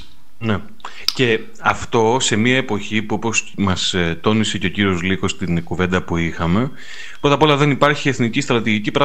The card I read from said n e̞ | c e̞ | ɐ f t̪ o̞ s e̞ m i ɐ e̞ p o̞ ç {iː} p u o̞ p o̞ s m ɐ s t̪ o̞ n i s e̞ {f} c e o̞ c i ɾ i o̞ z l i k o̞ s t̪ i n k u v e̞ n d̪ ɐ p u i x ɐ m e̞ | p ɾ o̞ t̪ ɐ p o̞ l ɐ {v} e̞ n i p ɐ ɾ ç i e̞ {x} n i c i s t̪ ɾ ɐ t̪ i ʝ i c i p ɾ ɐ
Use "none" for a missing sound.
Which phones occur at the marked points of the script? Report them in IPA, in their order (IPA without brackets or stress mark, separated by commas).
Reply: i, none, ð, θ